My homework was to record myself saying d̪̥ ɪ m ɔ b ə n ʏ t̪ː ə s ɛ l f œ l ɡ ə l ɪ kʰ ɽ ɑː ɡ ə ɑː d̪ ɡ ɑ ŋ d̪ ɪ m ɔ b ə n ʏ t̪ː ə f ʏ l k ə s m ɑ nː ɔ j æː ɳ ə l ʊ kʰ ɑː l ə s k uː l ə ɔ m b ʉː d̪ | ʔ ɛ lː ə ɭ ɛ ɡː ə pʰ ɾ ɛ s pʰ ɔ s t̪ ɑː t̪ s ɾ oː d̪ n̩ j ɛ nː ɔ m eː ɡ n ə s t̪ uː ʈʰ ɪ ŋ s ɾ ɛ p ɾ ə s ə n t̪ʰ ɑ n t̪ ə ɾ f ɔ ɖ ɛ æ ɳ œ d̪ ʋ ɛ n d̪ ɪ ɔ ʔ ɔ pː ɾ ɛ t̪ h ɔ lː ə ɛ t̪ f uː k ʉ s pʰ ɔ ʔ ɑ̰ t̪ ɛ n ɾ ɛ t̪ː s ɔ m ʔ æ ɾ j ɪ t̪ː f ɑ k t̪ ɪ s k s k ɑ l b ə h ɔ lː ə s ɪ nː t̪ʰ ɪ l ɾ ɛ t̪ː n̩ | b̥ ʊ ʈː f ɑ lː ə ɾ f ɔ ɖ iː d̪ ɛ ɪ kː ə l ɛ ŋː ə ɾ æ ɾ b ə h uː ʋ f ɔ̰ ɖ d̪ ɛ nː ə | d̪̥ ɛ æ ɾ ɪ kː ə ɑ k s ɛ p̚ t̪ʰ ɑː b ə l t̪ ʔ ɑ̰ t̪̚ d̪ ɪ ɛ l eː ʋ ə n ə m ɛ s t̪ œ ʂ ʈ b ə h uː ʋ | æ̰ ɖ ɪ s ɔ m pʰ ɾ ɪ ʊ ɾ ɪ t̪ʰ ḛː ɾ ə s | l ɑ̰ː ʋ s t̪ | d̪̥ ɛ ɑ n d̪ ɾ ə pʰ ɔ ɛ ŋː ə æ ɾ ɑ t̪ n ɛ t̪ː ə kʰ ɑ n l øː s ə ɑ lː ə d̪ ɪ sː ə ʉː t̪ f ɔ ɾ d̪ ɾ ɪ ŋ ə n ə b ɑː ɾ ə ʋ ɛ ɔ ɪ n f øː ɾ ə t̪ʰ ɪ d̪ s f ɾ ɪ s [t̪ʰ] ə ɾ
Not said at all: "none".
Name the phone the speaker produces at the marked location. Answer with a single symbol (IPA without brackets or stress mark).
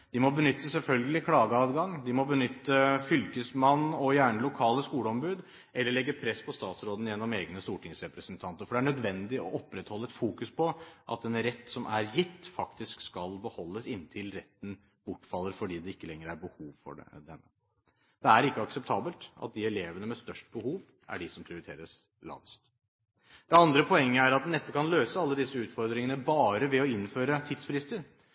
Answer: t̪